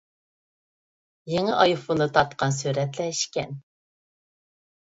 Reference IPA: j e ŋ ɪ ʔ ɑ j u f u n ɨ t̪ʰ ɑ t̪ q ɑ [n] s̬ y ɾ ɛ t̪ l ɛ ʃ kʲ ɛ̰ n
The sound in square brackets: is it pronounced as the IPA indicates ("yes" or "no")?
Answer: yes